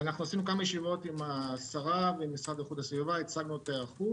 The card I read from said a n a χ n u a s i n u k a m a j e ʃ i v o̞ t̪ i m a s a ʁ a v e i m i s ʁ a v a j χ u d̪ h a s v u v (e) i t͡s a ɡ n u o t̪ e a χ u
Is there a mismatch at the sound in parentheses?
yes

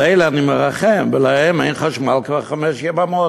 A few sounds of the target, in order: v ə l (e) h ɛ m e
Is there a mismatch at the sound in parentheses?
yes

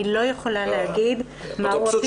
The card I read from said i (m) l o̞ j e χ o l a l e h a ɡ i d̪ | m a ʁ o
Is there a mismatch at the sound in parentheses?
yes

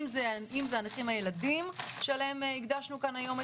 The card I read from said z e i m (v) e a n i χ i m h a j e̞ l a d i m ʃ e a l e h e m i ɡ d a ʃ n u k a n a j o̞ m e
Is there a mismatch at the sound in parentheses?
yes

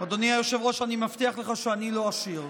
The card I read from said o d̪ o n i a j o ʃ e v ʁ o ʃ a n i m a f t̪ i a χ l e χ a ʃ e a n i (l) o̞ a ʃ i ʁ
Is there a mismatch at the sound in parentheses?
no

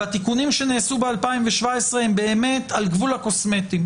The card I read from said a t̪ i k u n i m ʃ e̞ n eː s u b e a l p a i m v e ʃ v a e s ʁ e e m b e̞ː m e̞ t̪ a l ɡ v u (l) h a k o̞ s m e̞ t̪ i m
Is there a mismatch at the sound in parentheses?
no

